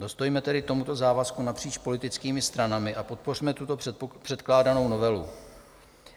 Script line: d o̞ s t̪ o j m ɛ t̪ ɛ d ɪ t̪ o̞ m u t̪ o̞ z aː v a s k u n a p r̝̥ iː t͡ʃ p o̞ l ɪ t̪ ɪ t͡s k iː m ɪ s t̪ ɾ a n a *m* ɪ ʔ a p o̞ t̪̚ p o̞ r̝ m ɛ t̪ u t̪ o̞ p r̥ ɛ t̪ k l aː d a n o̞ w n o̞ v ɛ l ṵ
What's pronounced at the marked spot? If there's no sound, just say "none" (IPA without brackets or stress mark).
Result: m